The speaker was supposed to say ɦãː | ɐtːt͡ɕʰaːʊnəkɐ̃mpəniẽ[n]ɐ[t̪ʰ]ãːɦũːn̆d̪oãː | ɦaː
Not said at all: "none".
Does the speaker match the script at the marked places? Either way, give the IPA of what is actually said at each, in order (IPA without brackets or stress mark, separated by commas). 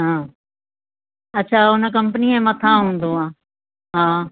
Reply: m, t̪ʰ